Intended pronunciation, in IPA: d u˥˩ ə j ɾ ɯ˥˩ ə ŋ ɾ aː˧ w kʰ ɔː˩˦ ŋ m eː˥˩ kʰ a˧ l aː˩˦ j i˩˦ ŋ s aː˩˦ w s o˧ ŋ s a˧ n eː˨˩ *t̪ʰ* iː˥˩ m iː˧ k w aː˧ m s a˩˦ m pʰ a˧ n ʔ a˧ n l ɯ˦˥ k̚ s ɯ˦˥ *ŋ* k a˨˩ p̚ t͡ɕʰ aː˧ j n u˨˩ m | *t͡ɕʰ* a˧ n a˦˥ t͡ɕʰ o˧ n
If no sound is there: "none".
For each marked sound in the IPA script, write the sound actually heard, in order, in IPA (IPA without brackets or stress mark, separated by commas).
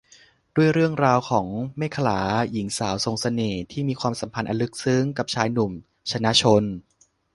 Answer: t̪ʰ, ŋ, t͡ɕʰ